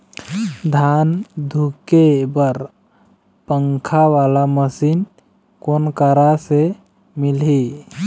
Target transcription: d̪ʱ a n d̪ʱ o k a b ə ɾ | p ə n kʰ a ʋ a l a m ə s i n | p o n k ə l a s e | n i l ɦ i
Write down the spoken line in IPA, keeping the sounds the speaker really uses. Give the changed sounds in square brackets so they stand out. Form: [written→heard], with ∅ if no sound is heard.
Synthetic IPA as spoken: d̪ʱ a n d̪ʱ [o→u] k [a→e] b ə ɾ | p ə [n→ŋ] kʰ a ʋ a l a m ə s i n | [p→k] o n k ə [l→ɾ] a s e | [n→m] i l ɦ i